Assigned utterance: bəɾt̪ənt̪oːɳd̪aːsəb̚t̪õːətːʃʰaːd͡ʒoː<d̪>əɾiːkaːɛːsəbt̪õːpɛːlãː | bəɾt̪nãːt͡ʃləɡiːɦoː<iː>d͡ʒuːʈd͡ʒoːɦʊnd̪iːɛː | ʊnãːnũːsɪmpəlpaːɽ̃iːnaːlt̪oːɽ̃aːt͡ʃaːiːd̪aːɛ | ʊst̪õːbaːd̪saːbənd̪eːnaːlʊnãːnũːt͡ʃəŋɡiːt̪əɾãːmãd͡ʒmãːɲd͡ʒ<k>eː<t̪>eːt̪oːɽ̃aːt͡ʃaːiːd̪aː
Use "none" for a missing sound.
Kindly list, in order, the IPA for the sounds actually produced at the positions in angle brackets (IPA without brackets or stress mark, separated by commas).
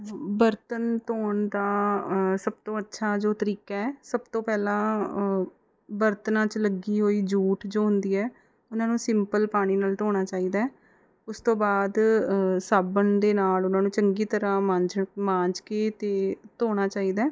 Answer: t̪, iː, k, t̪